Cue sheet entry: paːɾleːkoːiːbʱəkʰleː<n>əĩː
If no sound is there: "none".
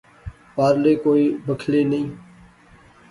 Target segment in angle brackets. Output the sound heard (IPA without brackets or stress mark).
n